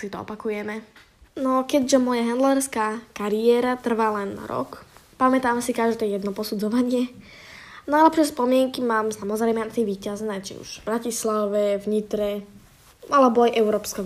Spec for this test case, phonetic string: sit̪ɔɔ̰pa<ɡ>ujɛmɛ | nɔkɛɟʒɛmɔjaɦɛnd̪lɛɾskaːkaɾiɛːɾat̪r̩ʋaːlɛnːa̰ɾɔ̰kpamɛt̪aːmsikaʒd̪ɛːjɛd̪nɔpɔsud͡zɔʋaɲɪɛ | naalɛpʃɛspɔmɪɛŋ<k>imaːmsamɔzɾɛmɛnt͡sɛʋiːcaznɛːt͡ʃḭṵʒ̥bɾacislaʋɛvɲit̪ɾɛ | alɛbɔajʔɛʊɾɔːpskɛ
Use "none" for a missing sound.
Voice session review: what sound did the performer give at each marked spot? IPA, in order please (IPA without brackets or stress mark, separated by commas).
k, k